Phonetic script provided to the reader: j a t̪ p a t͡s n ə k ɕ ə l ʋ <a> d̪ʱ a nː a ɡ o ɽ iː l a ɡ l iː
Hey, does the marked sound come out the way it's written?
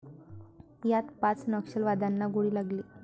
yes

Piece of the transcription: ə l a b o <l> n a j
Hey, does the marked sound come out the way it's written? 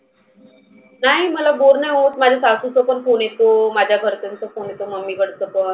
no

